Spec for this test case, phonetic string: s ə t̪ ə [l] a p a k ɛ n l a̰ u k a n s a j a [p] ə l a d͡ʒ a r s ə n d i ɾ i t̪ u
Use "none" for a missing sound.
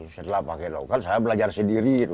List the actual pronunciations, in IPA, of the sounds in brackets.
l, b

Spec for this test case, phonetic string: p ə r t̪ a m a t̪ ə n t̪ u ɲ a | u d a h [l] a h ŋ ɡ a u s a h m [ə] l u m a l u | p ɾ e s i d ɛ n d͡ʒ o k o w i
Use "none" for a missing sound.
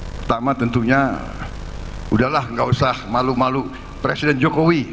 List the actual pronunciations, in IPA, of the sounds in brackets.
l, a

